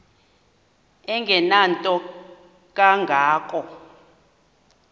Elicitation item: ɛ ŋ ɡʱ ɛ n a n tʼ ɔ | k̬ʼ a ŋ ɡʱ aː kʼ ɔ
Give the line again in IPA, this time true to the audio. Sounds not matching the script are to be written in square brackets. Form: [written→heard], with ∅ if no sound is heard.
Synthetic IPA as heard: ɛ ŋ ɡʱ ɛ n a n tʼ ɔ | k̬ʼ a ŋ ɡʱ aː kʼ ɔ